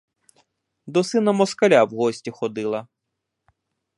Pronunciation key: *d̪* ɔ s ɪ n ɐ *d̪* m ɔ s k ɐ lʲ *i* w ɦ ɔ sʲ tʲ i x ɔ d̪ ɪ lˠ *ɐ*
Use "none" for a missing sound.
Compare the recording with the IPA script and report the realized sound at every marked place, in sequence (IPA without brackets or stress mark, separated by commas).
d̪, none, a, ɐ